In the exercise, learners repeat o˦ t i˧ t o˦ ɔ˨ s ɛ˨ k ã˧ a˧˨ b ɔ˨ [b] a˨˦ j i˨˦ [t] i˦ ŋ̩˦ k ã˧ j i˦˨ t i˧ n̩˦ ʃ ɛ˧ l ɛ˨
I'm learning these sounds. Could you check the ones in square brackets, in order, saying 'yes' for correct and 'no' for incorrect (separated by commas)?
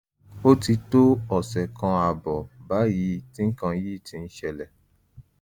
yes, yes